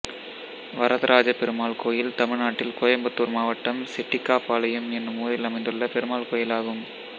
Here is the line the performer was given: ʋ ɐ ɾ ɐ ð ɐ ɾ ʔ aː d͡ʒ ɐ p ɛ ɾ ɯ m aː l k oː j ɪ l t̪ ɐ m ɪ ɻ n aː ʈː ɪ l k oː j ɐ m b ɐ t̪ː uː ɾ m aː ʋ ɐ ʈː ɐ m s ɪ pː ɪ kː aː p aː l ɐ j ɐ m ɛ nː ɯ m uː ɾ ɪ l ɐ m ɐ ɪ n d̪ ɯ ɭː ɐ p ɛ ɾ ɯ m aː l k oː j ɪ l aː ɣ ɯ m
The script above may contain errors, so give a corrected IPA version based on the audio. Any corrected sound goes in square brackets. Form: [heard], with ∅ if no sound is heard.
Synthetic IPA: ʋ ɐ ɾ ɐ ð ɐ ɾ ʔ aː d͡ʒ ɐ p ɛ ɾ ɯ m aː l k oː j ɪ l t̪ ɐ m ɪ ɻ n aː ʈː ɪ l k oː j ɐ m b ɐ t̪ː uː ɾ m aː ʋ ɐ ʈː ɐ m s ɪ [ʈː] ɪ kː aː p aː l ɐ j ɐ m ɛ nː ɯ m uː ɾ ɪ l ɐ m ɐ ɪ n d̪ ɯ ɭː ɐ p ɛ ɾ ɯ m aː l k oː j ɪ l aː ɣ ɯ m